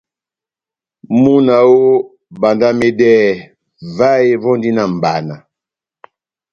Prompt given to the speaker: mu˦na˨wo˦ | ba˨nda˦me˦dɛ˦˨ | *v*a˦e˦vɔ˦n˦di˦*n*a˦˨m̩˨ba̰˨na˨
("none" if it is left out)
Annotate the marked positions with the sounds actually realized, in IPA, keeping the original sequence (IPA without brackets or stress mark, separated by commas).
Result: v, n